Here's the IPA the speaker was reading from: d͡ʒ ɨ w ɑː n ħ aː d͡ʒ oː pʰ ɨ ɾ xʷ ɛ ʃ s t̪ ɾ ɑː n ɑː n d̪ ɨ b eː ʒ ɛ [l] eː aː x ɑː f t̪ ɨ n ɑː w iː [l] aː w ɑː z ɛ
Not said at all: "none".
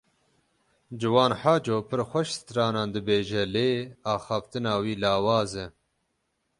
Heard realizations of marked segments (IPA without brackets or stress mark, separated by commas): l, l